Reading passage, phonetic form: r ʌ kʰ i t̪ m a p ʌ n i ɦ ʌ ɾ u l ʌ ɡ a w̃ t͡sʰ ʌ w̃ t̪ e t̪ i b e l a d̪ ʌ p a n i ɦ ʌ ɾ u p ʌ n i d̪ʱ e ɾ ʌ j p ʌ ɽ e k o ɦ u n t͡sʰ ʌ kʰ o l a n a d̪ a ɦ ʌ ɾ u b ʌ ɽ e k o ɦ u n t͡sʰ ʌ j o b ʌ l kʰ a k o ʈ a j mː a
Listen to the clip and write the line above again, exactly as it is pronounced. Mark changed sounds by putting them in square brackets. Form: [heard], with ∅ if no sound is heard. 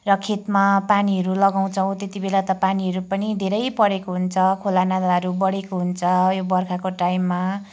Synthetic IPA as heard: r ʌ kʰ [e] t̪ m a p [a] n i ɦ ʌ ɾ u l ʌ ɡ a w̃ t͡sʰ ʌ w̃ t̪ e t̪ i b e l a [t̪] ʌ p a n i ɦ ʌ ɾ u p ʌ n i d̪ʱ e ɾ ʌ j p ʌ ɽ e k o ɦ u n t͡sʰ ʌ kʰ o l a n a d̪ a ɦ ʌ ɾ u b ʌ ɽ e k o ɦ u n t͡sʰ ʌ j o b ʌ [r] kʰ a k o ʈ a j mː a